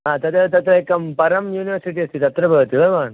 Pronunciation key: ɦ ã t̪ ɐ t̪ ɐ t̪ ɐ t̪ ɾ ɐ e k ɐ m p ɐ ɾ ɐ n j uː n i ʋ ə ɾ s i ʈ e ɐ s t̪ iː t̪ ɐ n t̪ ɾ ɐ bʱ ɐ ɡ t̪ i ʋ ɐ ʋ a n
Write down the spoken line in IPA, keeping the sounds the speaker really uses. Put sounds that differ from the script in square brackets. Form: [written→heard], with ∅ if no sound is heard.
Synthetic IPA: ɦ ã t̪ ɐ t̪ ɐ t̪ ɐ t̪ ɾ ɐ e k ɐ m p ɐ ɾ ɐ [n→m] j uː n i ʋ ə ɾ s i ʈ [e→i] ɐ s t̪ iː t̪ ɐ [n→∅] t̪ ɾ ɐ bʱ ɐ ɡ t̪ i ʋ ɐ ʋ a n